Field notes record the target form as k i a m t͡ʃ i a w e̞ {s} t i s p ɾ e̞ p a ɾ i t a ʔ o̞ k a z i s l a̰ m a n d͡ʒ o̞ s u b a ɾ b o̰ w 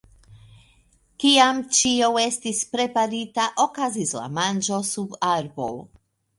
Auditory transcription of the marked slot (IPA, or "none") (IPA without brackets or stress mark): s